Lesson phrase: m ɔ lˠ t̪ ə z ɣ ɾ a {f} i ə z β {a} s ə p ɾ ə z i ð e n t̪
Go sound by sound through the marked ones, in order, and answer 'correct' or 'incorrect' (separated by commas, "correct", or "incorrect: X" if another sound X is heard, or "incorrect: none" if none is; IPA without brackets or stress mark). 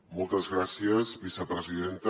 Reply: incorrect: s, incorrect: i